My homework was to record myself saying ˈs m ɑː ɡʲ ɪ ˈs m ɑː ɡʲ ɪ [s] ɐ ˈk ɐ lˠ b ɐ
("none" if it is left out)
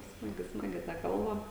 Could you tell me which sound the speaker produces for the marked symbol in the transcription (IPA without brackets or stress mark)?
t